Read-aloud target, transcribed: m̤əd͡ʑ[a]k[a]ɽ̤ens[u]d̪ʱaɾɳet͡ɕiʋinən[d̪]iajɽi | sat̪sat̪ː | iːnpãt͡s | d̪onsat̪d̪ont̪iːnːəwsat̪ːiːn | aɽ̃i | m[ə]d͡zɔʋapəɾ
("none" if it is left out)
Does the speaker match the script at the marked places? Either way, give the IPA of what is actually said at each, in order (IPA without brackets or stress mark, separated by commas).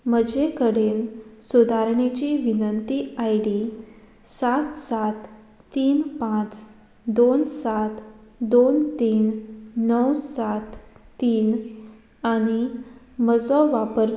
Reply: e, ə, u, t̪, ə